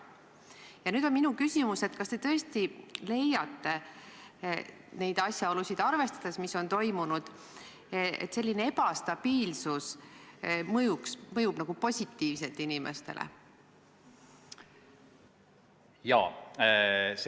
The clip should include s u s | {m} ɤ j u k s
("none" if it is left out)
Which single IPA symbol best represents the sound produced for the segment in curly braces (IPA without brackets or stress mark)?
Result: m